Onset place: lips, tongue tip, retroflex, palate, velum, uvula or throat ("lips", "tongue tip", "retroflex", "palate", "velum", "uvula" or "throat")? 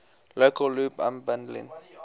tongue tip